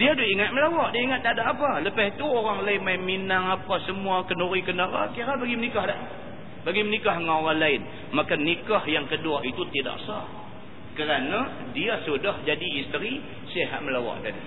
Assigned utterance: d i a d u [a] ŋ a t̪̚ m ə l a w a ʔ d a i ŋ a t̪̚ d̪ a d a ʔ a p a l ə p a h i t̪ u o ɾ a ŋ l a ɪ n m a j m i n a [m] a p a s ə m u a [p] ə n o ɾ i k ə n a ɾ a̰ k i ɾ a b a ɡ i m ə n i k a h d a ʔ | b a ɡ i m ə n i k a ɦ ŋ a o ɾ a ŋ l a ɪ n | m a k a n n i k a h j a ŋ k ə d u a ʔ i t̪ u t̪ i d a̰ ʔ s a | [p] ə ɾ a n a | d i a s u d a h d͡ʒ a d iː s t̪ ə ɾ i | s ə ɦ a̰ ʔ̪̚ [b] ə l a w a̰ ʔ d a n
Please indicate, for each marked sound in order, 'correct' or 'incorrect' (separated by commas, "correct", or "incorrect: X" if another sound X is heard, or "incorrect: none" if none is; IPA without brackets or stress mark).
incorrect: i, incorrect: ŋ, incorrect: k, incorrect: k, incorrect: m